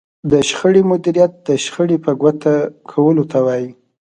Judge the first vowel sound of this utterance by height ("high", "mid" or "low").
mid